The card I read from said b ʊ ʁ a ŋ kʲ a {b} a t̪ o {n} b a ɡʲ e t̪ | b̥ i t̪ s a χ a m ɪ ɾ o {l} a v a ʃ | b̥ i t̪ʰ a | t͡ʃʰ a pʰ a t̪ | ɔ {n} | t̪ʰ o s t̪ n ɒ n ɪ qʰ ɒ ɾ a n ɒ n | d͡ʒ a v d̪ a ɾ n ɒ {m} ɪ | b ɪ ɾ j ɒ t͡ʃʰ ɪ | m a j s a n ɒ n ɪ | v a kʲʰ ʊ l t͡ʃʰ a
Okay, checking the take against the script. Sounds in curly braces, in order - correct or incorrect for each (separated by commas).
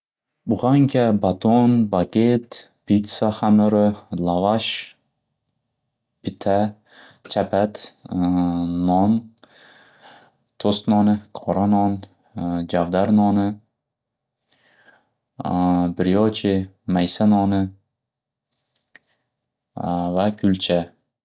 correct, correct, correct, correct, incorrect